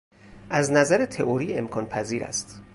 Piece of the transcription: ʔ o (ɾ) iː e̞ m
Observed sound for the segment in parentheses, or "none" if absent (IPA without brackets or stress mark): ɾ